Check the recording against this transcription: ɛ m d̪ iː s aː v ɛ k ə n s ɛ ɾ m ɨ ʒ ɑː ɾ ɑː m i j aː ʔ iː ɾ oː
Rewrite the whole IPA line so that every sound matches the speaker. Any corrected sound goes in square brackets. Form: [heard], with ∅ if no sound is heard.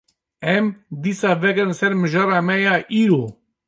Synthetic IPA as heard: ɛ m d̪ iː s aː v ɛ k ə n s ɛ ɾ m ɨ ʒ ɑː ɾ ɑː m [ɛ] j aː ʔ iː ɾ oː